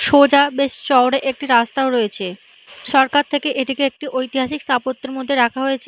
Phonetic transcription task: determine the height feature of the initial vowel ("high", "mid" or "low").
mid